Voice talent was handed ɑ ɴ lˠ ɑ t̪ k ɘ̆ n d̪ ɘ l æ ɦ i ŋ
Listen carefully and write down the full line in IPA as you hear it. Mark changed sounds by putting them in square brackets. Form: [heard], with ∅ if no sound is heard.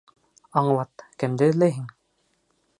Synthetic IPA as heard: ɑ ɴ lˠ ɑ t̪ k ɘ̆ [m] d̪ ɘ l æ ɦ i ŋ

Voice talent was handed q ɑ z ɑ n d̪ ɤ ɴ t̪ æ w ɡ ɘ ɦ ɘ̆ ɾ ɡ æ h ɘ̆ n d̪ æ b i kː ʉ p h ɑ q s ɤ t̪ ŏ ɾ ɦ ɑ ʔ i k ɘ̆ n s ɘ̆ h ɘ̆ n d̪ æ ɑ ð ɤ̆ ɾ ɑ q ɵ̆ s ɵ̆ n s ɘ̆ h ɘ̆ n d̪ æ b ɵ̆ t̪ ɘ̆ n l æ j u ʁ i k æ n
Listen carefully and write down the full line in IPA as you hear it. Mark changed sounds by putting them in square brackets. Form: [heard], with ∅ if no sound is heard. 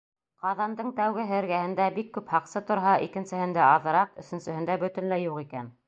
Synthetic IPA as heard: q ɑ [ð] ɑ n d̪ ɤ ɴ t̪ æ w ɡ ɘ ɦ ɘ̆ ɾ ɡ æ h ɘ̆ n d̪ æ b i kː ʉ p h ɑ q s ɤ t̪ ŏ ɾ ɦ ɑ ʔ i k ɘ̆ n s ɘ̆ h ɘ̆ n d̪ æ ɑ ð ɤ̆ ɾ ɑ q ɵ̆ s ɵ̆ n s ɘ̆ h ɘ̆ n d̪ æ b ɵ̆ t̪ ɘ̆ n l æ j u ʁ i k æ n

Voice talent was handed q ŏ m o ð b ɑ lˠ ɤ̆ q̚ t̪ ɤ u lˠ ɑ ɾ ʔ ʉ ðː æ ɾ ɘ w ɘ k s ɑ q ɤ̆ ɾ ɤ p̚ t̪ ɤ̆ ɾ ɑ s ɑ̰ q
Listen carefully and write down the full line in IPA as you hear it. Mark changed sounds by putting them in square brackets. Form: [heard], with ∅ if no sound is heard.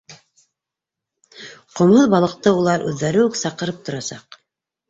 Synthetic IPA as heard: q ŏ m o ð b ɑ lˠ ɤ̆ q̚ t̪ ɤ u lˠ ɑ ɾ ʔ ʉ ðː æ ɾ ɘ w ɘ k s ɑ q ɤ̆ ɾ ɤ p̚ t̪ [ŏ] ɾ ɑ s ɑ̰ q

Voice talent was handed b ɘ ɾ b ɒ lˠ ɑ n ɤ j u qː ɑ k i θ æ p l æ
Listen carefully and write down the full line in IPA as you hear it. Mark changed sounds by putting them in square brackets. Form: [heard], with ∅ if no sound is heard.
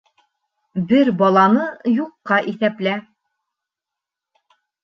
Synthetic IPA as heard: b ɘ ɾ b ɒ lˠ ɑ n ɤ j u qː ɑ [ʔ] i θ æ p l æ

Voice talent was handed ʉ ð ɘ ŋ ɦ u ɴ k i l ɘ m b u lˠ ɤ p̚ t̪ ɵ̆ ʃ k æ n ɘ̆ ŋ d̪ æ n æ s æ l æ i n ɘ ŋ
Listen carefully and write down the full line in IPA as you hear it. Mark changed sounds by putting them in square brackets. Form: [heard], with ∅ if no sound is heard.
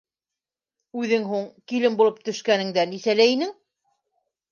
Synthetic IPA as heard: ʉ ð ɘ ŋ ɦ u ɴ k i l ɘ m b u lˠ ɤ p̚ t̪ ɵ̆ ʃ k æ n ɘ̆ ŋ d̪ æ n [i] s æ l æ i n ɘ ŋ

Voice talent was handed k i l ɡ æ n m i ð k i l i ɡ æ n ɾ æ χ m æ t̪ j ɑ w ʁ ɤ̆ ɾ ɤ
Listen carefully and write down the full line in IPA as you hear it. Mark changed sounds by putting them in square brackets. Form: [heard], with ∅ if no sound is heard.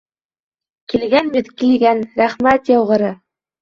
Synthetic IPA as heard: k i l ɡ æ n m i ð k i l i ɡ æ n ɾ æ χ m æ t̪ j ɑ w ʁ ɤ̆ ɾ ɤ

